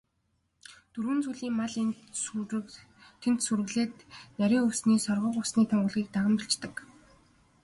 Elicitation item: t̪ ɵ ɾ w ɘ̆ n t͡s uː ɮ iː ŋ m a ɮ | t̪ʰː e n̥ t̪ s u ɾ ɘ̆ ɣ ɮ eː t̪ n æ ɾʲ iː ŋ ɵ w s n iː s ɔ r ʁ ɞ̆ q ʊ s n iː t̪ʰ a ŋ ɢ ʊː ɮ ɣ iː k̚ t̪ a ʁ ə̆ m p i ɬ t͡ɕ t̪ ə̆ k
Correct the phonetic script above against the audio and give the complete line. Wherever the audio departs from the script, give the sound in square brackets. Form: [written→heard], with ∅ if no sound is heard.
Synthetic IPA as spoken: t̪ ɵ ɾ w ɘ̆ n t͡s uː ɮ iː ŋ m a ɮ | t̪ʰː e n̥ t̪ s u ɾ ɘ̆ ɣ ɮ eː t̪ n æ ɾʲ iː ŋ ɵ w s n iː s ɔ r ʁ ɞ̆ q ʊ s n iː t̪ʰ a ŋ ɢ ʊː ɮ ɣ iː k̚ t̪ a ʁ ə̆ m p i ɬ t͡ɕ t̪ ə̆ k